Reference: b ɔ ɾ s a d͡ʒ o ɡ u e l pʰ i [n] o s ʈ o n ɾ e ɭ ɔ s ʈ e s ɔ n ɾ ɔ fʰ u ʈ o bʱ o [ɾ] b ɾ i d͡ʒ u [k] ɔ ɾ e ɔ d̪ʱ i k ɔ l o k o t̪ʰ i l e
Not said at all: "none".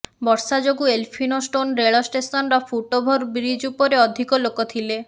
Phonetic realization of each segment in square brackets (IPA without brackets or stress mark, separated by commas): n, ɾ, p